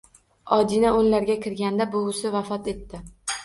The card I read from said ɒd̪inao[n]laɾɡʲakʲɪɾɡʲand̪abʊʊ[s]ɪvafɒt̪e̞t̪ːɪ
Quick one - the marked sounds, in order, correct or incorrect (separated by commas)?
correct, correct